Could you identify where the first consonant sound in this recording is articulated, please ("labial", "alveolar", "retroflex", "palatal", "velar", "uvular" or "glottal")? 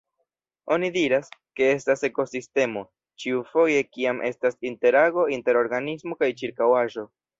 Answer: alveolar